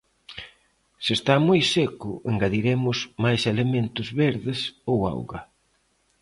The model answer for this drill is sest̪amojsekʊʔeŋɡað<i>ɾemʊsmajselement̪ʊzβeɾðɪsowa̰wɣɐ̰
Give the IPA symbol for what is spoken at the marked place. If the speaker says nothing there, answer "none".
i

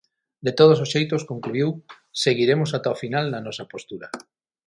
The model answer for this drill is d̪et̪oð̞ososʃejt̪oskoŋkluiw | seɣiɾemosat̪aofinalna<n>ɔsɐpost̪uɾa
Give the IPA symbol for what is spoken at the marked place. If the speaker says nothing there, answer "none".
n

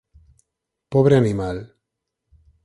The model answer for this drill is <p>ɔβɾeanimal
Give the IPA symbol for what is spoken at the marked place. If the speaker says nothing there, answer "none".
p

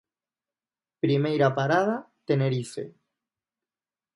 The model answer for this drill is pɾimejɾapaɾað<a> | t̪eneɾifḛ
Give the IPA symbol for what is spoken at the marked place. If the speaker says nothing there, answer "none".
a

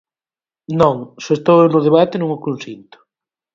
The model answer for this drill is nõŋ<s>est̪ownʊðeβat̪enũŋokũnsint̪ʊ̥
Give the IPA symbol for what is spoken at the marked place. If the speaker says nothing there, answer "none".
s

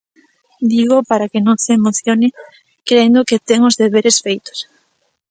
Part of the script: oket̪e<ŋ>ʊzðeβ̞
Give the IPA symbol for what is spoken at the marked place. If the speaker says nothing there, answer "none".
ŋ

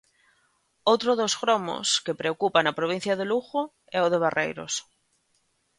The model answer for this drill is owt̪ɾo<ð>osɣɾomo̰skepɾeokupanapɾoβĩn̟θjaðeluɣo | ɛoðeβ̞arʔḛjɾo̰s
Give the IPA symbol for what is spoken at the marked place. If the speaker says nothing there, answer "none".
ð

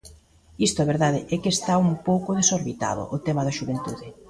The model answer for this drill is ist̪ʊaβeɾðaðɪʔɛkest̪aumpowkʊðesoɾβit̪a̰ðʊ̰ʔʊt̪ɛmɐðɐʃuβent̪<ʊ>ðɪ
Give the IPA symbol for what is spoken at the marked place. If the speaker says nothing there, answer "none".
u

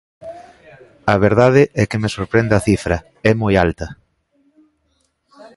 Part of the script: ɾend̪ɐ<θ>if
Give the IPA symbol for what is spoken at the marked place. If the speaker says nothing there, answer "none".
θ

